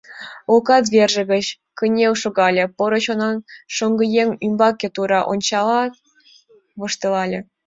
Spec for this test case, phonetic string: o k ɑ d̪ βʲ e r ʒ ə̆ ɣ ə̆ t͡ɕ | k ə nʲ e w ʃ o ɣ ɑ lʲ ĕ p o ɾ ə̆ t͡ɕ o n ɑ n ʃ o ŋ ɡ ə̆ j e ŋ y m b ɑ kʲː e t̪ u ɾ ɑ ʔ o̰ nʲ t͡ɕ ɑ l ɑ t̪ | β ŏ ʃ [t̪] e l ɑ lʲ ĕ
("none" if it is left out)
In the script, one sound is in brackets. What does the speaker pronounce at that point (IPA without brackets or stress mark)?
t̪